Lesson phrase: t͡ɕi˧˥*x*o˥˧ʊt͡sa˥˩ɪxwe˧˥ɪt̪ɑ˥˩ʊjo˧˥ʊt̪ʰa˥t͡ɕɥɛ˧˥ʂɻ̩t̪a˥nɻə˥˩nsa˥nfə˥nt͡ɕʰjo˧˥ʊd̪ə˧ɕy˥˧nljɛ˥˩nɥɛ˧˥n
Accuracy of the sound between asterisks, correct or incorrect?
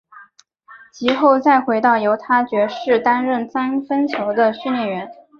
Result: correct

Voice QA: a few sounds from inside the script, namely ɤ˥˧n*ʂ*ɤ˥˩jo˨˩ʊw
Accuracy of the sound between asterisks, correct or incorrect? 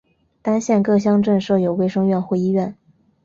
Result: correct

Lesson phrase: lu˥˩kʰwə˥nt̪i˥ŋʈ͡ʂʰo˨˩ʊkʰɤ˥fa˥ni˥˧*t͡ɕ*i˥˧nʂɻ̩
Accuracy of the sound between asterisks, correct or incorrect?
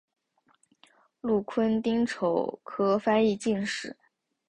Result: correct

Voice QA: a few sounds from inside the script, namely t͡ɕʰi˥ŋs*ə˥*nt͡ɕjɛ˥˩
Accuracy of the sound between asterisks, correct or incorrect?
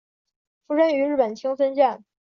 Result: correct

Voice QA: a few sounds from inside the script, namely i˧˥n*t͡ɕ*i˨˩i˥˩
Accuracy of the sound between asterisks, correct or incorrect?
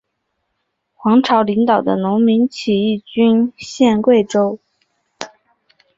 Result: incorrect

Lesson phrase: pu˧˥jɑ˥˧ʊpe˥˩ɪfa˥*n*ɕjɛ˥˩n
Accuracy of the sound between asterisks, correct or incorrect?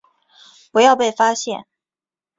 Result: incorrect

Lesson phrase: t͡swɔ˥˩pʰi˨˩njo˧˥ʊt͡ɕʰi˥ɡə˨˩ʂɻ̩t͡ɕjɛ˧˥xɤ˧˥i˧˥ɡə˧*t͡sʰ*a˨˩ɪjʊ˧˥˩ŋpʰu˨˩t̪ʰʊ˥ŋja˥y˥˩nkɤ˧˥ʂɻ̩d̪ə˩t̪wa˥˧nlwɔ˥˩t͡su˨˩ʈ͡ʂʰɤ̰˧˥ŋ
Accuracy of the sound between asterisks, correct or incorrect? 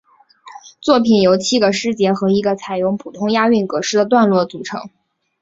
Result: correct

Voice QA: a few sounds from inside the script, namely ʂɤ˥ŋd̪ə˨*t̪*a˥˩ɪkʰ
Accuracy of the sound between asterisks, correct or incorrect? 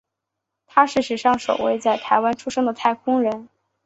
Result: incorrect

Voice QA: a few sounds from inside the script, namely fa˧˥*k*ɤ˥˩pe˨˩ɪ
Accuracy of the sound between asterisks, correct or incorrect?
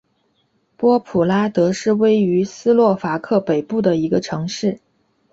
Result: incorrect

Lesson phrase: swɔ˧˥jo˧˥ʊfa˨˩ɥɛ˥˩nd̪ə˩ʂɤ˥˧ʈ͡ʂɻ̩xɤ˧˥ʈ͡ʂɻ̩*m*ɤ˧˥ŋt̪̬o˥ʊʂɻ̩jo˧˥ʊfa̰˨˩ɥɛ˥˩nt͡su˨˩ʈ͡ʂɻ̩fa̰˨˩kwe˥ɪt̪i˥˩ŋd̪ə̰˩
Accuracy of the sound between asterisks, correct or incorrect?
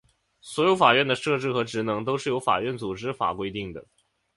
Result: incorrect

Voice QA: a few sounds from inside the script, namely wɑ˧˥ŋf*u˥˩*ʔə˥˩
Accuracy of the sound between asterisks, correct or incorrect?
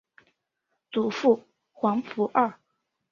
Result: incorrect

